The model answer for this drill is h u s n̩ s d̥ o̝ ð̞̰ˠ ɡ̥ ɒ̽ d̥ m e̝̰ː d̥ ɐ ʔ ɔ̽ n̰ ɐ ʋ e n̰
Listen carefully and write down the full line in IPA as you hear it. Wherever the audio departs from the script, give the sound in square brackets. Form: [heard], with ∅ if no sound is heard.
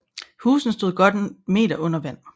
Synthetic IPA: h [uː] s n̩ s d̥ o̝ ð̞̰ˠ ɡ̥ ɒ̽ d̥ m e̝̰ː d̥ ɐ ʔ ɔ̽ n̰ ɐ ʋ [æ] n̰